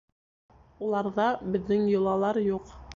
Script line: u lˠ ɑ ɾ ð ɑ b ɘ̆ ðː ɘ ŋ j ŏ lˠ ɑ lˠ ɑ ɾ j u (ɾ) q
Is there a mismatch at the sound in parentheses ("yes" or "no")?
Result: yes